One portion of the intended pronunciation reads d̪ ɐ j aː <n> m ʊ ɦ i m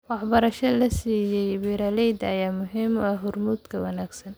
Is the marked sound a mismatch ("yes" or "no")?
yes